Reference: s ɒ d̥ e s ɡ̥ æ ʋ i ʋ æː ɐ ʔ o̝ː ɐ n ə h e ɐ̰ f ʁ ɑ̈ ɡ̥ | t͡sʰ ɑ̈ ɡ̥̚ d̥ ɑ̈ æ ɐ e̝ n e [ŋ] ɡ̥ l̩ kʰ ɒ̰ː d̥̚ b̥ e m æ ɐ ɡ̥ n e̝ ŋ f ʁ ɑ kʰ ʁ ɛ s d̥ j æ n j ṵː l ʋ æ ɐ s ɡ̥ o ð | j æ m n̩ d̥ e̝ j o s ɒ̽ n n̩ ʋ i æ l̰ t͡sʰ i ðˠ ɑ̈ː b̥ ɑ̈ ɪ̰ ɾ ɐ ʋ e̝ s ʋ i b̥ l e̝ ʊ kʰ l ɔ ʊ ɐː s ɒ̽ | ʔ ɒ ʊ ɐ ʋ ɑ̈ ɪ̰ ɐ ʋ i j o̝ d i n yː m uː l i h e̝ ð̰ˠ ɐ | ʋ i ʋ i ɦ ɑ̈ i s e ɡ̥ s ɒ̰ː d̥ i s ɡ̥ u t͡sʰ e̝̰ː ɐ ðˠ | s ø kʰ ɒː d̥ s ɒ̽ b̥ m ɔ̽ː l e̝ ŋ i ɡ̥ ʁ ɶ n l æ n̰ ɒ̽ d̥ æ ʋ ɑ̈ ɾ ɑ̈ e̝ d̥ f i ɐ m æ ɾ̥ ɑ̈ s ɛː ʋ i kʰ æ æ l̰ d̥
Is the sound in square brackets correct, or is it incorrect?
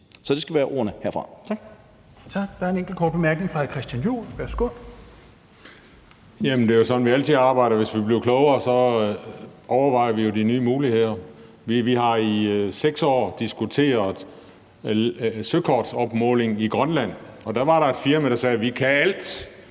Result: correct